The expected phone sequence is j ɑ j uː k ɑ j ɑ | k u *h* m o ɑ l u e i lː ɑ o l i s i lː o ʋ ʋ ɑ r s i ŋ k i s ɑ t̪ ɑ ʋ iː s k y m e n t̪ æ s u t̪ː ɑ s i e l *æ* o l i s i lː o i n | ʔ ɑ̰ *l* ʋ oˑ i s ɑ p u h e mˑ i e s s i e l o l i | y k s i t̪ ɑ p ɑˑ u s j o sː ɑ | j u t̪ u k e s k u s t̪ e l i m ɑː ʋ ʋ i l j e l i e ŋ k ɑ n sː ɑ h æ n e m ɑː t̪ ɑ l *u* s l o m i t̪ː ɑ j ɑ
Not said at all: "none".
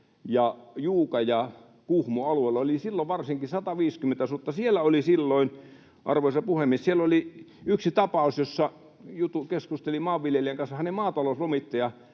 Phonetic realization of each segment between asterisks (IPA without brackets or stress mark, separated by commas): h, æ, r, o